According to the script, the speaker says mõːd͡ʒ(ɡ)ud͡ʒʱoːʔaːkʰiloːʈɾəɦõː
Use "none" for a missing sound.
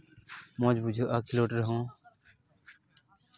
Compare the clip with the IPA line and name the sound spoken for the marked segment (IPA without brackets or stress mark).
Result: b